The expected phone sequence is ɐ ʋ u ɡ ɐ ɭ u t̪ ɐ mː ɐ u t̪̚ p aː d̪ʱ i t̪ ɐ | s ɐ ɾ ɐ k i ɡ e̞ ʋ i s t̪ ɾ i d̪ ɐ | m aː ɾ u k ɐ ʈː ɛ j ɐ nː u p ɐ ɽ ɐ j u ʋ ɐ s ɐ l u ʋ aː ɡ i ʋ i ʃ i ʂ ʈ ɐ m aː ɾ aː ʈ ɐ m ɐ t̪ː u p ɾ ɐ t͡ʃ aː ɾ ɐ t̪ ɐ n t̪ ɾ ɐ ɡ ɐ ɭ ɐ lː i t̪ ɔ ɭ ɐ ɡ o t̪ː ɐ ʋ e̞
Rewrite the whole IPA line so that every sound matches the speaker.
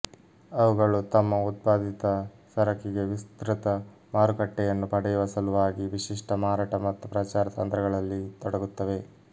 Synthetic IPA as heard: ɐ ʋ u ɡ ɐ ɭ u t̪ ɐ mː ɐ u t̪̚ p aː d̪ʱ i t̪ ɐ | s ɐ ɾ ɐ k i ɡ e̞ ʋ i s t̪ ɾ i t̪ ɐ | m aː ɾ u k ɐ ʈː ɛ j ɐ nː u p ɐ ɽ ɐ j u ʋ ɐ s ɐ l u ʋ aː ɡ i ʋ i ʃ i ʂ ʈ ɐ m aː ɾ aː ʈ ɐ m ɐ t̪ː u p ɾ ɐ t͡ʃ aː ɾ ɐ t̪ ɐ n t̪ ɾ ɐ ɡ ɐ ɭ ɐ lː i t̪ ɔ ɽ ɐ ɡ u t̪ː ɐ ʋ e̞